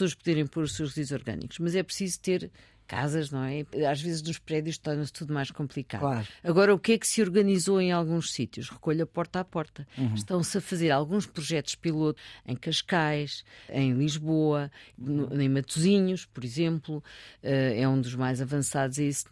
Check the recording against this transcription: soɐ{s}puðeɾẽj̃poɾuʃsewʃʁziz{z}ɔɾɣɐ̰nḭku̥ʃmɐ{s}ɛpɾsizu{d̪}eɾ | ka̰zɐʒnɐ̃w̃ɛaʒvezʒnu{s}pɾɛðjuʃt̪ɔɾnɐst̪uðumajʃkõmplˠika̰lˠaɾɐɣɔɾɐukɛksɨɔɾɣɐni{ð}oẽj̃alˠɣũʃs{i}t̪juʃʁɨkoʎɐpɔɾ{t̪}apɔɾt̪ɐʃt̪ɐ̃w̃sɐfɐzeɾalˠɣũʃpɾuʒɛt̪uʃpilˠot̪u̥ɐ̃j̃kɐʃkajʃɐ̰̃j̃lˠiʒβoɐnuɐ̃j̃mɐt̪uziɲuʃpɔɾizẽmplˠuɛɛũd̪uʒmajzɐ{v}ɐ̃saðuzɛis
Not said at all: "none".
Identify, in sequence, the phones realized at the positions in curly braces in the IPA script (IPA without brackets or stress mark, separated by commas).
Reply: ʃ, z, z, t̪, ʃ, z, i, t̪, v